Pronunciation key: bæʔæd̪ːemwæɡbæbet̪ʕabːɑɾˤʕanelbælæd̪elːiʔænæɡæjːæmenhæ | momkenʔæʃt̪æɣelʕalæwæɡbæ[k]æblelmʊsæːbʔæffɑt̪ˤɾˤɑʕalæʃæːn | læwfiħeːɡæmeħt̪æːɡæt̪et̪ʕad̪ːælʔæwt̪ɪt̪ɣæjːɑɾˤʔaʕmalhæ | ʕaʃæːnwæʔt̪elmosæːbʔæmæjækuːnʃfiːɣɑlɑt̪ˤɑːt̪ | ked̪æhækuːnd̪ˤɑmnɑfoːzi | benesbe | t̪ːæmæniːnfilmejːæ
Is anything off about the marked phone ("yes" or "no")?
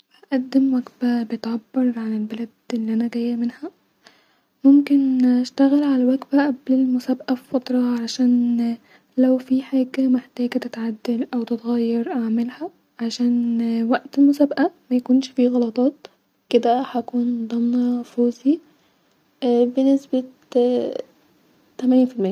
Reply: yes